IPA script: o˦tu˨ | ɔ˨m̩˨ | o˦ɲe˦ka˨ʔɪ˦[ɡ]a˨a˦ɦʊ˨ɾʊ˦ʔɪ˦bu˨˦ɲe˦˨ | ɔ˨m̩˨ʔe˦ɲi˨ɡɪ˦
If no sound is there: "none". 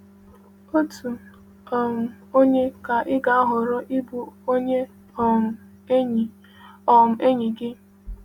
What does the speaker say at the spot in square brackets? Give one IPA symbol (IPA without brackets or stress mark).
ɡ